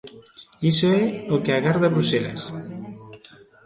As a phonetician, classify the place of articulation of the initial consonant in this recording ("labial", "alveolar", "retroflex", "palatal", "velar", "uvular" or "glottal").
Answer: alveolar